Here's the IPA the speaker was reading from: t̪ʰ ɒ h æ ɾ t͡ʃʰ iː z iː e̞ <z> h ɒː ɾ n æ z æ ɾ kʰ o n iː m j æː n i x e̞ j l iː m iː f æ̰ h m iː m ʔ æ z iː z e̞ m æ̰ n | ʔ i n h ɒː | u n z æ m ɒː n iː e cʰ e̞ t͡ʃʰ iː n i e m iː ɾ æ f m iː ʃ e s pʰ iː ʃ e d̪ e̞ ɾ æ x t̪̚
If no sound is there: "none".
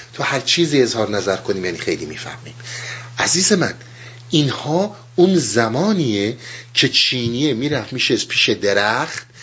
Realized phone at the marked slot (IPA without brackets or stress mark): z